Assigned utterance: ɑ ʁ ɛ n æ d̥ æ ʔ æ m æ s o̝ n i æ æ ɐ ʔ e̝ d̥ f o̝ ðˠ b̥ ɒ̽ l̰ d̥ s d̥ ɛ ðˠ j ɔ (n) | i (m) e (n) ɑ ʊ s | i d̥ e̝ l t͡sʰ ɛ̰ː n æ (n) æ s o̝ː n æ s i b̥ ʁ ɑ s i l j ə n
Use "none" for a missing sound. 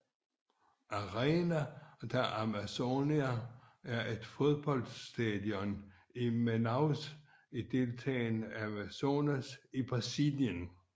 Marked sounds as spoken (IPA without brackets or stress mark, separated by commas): n, m, n, m